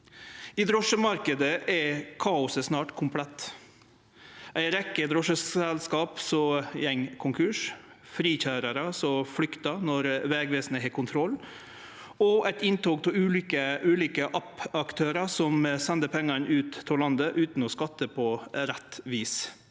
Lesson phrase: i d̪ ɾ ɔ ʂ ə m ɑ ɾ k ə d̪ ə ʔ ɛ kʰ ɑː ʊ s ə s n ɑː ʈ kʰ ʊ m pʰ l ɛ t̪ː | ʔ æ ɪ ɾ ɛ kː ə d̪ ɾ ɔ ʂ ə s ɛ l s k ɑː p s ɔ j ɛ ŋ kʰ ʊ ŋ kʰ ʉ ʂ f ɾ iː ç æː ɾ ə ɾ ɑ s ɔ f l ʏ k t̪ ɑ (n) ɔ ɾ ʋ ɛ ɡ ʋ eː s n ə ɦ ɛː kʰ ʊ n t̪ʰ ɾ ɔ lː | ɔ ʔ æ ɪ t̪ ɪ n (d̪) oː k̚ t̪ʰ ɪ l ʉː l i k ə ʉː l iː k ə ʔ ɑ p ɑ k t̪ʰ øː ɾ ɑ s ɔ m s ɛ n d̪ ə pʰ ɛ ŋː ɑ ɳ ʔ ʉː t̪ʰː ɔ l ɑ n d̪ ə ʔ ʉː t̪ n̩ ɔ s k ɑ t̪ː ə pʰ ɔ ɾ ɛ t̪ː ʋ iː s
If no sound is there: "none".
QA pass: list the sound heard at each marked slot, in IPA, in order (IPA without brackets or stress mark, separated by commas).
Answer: n, t̪